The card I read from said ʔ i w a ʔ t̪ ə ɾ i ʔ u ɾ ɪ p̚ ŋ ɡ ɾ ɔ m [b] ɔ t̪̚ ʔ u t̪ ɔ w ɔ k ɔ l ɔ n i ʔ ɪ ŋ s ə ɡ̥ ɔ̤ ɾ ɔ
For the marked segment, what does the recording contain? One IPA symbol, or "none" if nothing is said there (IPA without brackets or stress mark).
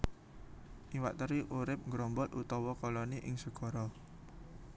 b